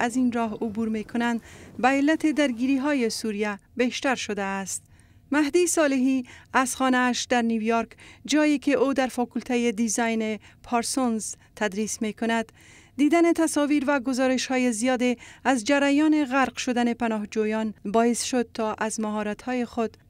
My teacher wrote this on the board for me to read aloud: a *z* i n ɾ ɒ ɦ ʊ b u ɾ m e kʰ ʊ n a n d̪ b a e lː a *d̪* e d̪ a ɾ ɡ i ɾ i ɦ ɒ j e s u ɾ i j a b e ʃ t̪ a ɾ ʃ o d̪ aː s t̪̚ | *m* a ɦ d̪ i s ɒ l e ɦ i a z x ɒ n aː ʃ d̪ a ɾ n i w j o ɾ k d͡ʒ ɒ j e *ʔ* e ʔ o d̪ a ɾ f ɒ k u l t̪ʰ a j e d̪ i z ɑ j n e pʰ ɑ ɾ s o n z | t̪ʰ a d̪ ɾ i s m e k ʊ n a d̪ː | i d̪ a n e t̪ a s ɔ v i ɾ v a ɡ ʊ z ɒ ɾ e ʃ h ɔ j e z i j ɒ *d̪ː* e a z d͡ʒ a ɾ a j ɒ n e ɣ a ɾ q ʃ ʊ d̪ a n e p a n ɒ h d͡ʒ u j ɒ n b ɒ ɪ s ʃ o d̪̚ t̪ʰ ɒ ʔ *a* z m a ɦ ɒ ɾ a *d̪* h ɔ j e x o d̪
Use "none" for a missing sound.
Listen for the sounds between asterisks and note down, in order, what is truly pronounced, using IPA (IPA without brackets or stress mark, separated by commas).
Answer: z, t̪, m, k, d̪, a, t̪